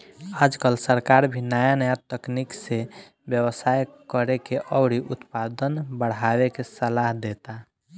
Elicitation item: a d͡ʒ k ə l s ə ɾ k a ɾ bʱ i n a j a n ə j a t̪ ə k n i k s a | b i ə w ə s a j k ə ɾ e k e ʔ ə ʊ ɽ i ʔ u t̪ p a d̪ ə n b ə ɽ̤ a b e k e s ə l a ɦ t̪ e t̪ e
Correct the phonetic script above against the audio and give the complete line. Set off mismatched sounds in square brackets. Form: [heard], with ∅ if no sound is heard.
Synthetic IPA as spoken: a d͡ʒ k ə l s ə ɾ k a ɾ bʱ i n a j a n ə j a t̪ ə k n i k s [e] | b [j] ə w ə s a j k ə ɾ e k e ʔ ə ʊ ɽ i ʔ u t̪ p a d̪ ə n b ə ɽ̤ a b e k e s ə l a ɦ [d̪] e t̪ [a]